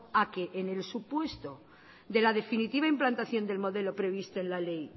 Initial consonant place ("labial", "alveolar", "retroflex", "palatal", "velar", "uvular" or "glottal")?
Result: velar